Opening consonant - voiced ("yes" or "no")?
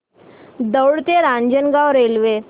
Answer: yes